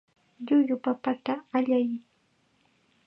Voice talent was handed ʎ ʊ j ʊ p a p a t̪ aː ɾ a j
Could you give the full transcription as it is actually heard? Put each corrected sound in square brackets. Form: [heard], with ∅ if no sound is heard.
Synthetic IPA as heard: ʎ ʊ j ʊ p a p a t̪ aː [ʎ] a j